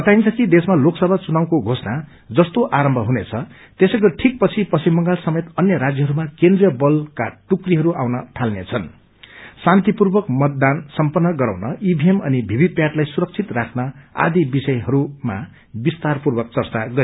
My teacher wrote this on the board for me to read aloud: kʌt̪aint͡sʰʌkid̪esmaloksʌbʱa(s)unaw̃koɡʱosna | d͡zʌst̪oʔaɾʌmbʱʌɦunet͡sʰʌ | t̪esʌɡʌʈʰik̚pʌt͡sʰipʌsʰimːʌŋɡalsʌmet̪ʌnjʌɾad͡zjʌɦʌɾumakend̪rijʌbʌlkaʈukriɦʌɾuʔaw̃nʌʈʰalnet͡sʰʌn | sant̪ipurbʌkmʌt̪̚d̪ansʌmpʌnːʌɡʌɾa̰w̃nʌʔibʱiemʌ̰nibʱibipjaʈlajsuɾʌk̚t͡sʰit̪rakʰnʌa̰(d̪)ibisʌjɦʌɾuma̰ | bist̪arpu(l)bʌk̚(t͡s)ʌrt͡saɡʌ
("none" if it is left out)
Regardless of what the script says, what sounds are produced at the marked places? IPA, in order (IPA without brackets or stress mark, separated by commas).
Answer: t͡s, d̪, r, t͡s